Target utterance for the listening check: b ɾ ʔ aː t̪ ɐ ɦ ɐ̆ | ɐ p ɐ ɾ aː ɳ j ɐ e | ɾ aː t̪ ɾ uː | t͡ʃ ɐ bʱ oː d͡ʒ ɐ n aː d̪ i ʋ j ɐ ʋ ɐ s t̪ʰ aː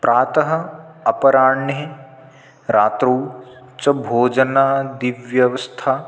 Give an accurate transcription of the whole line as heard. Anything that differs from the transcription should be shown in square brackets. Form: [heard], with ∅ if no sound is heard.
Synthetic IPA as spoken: [p] ɾ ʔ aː t̪ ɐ ɦ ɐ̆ | ɐ p ɐ ɾ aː ɳ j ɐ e | ɾ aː t̪ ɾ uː | t͡ʃ ɐ bʱ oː d͡ʒ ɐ n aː d̪ i ʋ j ɐ ʋ ɐ s t̪ʰ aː

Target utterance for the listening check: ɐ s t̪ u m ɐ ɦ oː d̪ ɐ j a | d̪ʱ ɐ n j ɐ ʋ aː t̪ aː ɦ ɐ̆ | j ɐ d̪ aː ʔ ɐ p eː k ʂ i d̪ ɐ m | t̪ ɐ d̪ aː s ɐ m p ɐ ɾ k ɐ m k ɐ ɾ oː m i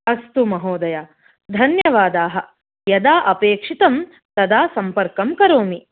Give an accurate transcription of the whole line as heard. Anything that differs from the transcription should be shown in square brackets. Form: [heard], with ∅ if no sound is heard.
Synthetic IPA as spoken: ɐ s t̪ u m ɐ ɦ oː d̪ ɐ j a | d̪ʱ ɐ n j ɐ ʋ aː [d̪] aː ɦ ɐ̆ | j ɐ d̪ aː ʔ ɐ p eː k ʂ i [t̪] ɐ m | t̪ ɐ d̪ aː s ɐ m p ɐ ɾ k ɐ m k ɐ ɾ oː m i

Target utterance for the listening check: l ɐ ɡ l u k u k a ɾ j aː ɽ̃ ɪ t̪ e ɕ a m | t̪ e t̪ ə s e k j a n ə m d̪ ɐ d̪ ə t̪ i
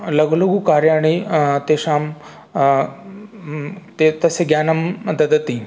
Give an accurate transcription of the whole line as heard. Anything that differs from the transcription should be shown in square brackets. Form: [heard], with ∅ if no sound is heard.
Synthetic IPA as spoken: l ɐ ɡ l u [ɡ] u k a ɾ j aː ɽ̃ [i] t̪ e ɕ a m | t̪ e t̪ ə s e [ɡ] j a n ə m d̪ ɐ d̪ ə t̪ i

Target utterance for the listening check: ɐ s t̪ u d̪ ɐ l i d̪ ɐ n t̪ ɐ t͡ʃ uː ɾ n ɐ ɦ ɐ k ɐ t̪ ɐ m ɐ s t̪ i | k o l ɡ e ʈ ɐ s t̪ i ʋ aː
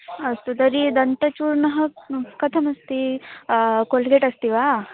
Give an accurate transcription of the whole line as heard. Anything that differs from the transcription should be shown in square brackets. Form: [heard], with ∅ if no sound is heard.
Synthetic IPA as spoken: ɐ s t̪ u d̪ ɐ [ɾ] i d̪ ɐ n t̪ ɐ t͡ʃ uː ɾ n ɐ ɦ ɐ k ɐ [t̪ʰ] ɐ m ɐ s t̪ i | k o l ɡ e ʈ ɐ s t̪ i ʋ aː

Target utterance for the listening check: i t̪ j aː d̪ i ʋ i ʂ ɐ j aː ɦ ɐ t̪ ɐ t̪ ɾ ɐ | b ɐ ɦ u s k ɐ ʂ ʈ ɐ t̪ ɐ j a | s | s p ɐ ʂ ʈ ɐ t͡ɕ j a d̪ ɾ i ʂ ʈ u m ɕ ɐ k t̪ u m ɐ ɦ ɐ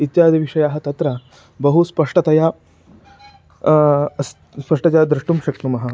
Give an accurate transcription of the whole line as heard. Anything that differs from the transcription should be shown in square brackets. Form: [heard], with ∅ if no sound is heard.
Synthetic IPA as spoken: i t̪ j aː d̪ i ʋ i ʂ ɐ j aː ɦ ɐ t̪ ɐ t̪ ɾ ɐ | b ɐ ɦ u s [p] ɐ ʂ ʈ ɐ t̪ ɐ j a | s | s p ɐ ʂ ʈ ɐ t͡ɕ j a d̪ ɾ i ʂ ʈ u m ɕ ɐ k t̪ u m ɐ ɦ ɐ

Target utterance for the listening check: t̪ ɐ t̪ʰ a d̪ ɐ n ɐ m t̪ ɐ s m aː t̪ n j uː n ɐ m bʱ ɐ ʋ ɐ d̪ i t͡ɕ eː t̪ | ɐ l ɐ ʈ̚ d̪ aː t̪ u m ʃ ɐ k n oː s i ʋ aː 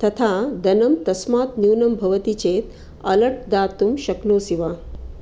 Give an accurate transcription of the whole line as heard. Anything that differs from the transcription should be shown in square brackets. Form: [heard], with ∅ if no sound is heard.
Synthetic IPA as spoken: t̪ ɐ t̪ʰ a d̪ ɐ n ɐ m t̪ ɐ s m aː t̪ n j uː n ɐ m bʱ ɐ ʋ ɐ [t̪] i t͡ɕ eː t̪ | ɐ l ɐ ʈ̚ d̪ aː t̪ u m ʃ ɐ k n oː s i ʋ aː

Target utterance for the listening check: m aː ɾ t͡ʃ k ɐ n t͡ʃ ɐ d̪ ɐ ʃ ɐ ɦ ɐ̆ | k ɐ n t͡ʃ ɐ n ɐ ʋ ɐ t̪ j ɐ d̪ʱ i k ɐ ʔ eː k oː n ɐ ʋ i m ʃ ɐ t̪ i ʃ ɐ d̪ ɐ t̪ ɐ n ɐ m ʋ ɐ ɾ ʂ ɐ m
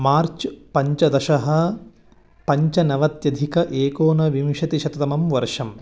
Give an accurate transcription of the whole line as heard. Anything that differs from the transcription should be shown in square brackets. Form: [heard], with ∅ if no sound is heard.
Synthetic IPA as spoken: m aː ɾ t͡ʃ [p] ɐ [ɲ] t͡ʃ ɐ d̪ ɐ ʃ ɐ ɦ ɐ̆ | [p] ɐ [ɲ] t͡ʃ ɐ n ɐ ʋ ɐ t̪ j ɐ d̪ʱ i k ɐ ʔ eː k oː n ɐ ʋ i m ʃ ɐ t̪ i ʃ ɐ [t̪] ɐ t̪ ɐ [m] ɐ m ʋ ɐ ɾ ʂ ɐ m

